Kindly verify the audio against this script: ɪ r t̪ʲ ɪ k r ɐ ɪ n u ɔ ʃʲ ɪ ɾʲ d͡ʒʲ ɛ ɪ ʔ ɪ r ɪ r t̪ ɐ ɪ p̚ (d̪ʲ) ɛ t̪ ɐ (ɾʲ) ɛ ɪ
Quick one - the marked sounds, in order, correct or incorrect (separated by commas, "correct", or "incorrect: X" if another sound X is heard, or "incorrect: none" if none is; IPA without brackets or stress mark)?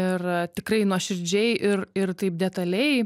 correct, incorrect: lʲ